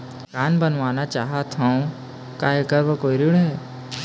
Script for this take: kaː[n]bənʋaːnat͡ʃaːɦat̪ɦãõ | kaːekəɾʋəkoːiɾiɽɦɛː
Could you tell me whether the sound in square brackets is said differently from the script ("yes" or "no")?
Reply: no